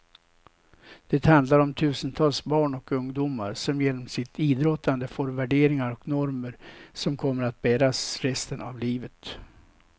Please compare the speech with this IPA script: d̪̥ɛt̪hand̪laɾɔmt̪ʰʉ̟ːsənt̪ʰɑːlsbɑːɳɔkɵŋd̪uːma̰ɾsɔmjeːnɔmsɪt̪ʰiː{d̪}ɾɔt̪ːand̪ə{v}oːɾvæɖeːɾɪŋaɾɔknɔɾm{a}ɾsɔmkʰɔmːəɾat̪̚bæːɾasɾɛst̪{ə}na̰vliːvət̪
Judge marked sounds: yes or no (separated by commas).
yes, no, no, yes